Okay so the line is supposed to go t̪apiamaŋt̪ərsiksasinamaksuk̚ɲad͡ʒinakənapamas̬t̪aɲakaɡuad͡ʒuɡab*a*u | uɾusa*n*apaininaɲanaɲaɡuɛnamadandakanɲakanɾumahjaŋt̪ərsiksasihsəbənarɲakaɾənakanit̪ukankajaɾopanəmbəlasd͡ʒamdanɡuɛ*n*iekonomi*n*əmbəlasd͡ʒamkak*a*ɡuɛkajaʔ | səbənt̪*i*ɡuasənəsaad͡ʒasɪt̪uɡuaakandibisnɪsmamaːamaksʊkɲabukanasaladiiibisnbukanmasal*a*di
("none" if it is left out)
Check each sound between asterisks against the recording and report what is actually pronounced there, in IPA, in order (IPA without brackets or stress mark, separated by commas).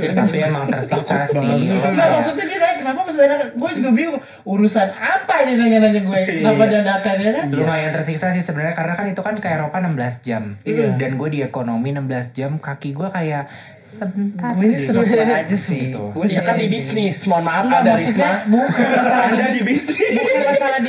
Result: i, n, d, n, i, a, a